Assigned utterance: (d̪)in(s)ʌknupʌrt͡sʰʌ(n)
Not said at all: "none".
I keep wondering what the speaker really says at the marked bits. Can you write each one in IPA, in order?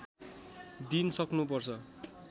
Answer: d̪, s, none

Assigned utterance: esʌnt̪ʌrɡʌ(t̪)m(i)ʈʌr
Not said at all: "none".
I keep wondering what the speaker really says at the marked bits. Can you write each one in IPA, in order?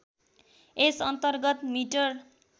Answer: t̪, i

